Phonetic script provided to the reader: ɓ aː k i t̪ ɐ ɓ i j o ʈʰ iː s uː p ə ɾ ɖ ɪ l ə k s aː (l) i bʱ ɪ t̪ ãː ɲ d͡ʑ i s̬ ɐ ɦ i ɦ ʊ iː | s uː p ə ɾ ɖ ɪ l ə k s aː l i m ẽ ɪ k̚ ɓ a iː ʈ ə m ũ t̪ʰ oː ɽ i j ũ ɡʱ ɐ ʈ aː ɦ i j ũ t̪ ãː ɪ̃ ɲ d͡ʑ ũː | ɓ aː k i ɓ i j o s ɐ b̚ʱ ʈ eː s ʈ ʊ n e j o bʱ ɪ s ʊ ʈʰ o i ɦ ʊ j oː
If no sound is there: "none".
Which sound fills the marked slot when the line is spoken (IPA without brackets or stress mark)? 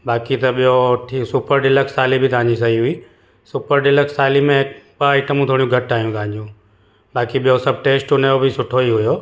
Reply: l